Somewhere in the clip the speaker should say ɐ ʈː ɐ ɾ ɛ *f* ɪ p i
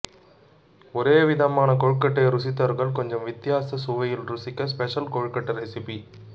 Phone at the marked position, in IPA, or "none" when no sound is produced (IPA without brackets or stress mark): s